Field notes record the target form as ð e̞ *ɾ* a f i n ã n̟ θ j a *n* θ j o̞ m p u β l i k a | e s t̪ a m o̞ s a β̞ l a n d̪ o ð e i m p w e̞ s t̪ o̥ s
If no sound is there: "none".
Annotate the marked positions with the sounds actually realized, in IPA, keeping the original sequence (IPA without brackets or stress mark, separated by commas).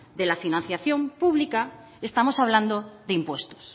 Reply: l, none